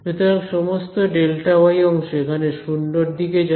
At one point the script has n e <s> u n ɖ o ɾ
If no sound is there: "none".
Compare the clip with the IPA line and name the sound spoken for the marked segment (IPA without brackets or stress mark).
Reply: ʃ